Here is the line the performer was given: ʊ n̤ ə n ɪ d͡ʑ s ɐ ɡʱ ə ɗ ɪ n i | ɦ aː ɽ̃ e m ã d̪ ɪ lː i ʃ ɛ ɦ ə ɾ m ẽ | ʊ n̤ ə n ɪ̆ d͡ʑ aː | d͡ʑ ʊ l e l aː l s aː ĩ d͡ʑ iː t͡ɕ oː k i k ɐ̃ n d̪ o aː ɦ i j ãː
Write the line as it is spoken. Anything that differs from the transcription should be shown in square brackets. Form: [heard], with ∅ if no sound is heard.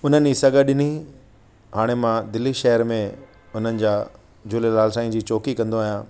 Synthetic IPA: ʊ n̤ ə n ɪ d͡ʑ s ɐ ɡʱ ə ɗ ɪ n i | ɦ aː ɽ̃ e m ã d̪ ɪ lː i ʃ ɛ ɦ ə ɾ m ẽ | ʊ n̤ ə n ɪ̆ d͡ʑ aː | d͡ʑ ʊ l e l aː l s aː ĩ d͡ʑ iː t͡ɕ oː k i k ɐ̃ n d̪ o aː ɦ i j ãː